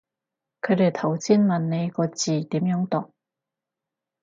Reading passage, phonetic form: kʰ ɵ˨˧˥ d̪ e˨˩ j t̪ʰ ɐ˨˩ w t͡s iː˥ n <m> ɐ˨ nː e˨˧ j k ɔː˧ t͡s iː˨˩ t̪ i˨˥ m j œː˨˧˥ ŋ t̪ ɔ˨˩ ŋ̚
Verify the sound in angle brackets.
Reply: correct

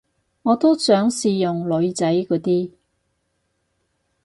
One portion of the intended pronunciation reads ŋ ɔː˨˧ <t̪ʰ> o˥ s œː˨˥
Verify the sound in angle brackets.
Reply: incorrect: t̪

